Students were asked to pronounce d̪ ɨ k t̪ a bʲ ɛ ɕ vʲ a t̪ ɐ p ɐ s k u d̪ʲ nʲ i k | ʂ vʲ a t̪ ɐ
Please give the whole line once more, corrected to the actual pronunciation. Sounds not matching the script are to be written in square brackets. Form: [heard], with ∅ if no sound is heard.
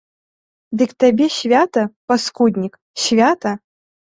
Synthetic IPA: d̪ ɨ k t̪ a bʲ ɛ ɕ vʲ a t̪ ɐ p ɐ s k u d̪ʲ nʲ i k | [ɕ] vʲ a t̪ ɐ